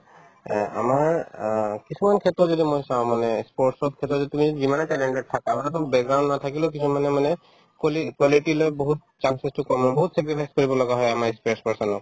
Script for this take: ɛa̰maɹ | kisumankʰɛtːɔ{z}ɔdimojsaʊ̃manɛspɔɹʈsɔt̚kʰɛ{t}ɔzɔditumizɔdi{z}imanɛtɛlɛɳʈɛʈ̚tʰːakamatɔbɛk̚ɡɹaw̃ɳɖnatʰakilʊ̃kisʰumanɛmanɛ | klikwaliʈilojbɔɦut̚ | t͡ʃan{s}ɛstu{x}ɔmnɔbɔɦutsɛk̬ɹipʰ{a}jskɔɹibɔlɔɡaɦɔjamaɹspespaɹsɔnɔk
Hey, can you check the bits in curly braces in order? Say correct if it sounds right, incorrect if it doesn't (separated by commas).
correct, correct, correct, correct, incorrect, correct